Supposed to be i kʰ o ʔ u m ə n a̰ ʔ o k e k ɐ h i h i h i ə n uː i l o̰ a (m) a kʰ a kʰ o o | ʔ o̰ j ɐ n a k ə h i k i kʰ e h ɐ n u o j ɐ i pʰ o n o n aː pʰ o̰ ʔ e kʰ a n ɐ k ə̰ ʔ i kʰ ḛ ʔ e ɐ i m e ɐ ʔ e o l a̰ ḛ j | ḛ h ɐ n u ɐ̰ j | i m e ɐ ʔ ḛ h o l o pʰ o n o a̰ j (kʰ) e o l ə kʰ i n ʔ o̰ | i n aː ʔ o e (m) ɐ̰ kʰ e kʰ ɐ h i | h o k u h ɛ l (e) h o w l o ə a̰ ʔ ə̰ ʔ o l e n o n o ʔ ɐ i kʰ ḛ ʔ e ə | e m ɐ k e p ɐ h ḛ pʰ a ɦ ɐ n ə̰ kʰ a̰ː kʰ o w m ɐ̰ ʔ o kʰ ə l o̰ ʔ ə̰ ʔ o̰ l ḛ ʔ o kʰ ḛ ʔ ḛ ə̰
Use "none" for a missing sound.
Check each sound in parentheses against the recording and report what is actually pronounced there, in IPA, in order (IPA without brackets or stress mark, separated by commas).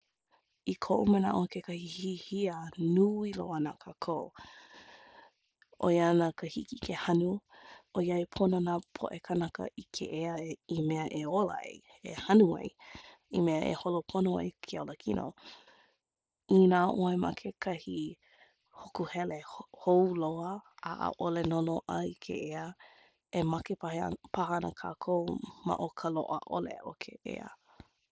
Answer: n, kʰ, m, e